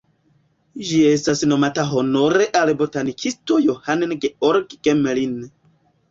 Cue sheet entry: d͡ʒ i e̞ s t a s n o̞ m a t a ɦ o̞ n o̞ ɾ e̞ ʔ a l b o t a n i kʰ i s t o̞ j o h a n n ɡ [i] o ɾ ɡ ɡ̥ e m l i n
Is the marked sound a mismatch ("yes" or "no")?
yes